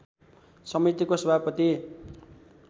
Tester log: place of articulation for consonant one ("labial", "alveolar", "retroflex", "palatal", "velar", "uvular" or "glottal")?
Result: alveolar